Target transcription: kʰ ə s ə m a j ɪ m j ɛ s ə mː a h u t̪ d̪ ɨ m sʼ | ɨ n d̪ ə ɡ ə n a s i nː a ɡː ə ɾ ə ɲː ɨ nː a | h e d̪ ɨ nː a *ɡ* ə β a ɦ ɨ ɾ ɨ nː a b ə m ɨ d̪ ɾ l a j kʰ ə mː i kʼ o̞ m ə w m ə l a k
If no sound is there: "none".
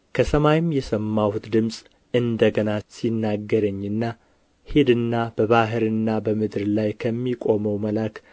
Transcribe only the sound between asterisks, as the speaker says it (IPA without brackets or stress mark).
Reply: b